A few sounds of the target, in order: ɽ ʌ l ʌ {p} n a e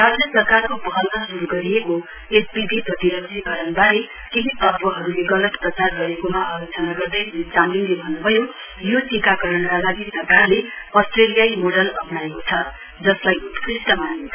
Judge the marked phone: correct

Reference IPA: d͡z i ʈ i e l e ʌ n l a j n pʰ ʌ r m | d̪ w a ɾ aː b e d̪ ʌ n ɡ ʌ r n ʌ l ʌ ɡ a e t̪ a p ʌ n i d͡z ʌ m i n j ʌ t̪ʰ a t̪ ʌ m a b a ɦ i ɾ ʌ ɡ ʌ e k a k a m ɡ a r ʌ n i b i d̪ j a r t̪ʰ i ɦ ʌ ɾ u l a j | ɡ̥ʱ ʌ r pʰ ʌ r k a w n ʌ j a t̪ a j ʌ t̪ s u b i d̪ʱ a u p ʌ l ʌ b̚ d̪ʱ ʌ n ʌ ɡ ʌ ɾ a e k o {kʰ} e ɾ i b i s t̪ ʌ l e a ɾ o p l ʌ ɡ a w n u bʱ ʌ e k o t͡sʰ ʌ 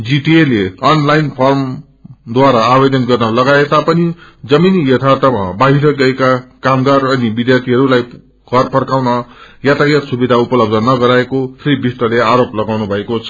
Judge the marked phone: incorrect: pʰ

